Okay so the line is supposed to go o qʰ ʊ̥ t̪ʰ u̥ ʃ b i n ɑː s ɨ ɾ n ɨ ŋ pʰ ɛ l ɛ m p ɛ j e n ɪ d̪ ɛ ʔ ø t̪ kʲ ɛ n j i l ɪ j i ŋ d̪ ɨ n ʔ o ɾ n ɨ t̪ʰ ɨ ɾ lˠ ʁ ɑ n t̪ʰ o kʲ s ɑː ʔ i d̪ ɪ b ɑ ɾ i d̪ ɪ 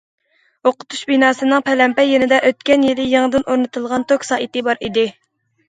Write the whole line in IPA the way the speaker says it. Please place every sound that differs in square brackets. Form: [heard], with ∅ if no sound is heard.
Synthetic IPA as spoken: o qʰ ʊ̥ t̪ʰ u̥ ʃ b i n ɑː s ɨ [∅] n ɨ ŋ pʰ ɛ l ɛ m p ɛ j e n ɪ d̪ ɛ ʔ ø t̪ kʲ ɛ n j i l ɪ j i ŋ d̪ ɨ n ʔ o ɾ n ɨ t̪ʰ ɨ [∅] lˠ ʁ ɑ n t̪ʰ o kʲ s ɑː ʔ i [t̪] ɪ b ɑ ɾ i d̪ ɪ